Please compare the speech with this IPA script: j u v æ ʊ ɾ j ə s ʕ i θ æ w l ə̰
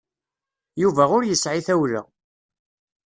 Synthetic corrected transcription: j u v æ ʊ ɾ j ə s ʕ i θ æ w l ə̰